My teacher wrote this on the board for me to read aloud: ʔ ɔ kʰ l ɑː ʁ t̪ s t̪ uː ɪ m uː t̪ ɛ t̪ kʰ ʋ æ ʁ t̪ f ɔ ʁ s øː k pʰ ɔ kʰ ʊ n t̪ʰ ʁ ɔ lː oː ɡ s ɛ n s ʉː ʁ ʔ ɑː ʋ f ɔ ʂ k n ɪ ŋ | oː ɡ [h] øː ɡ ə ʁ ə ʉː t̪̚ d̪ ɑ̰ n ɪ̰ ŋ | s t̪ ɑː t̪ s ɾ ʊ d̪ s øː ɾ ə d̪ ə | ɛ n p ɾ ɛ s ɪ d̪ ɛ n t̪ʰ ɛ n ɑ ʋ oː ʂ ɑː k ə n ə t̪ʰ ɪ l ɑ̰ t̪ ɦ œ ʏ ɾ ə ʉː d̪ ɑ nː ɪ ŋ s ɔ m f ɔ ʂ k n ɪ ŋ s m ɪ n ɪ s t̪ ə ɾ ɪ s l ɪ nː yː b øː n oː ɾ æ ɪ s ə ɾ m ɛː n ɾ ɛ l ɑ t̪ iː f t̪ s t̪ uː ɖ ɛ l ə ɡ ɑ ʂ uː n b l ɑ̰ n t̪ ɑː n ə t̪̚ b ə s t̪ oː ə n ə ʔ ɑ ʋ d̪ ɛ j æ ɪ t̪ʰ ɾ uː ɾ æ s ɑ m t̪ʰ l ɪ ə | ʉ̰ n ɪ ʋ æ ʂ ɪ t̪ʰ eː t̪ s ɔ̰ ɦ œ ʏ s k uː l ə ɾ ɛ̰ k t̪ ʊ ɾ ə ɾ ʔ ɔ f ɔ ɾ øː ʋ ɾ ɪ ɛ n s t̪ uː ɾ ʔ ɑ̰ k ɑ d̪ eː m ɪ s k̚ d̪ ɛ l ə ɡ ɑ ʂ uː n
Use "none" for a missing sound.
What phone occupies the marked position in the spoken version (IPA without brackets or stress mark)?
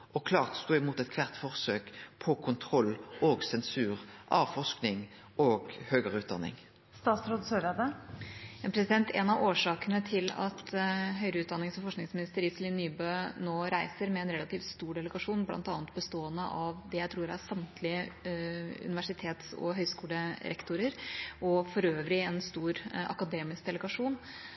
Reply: h